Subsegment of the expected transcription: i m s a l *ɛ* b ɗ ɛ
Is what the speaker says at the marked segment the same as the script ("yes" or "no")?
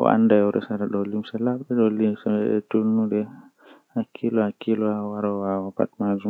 no